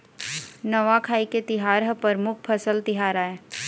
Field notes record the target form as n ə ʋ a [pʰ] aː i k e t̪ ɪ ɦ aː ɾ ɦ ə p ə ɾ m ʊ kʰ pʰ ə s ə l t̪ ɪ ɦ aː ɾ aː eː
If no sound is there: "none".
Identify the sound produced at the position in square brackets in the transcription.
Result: kʰ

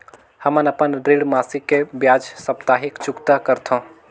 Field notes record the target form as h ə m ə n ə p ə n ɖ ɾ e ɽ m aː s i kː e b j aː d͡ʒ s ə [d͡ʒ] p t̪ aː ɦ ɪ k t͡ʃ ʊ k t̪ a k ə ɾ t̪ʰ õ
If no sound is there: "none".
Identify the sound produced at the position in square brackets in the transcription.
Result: none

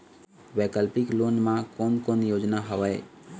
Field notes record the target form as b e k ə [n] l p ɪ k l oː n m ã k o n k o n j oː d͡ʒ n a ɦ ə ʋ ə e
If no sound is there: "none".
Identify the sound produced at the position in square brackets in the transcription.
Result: none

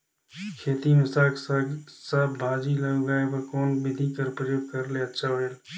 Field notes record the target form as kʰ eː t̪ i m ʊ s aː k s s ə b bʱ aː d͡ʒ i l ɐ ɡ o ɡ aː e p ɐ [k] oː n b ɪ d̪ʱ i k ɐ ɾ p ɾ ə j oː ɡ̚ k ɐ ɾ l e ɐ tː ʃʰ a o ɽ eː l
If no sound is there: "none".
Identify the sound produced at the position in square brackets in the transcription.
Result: k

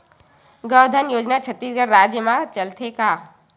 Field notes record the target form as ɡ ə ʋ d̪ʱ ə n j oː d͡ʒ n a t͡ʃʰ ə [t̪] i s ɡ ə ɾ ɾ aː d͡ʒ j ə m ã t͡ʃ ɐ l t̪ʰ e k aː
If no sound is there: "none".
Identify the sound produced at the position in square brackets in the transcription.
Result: t̪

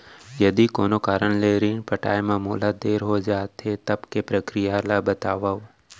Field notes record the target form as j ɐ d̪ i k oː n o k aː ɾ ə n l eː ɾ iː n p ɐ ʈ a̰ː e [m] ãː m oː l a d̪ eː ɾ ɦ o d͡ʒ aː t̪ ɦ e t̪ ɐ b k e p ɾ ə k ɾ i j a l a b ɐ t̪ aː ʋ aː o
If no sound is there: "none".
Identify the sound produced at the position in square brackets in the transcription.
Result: m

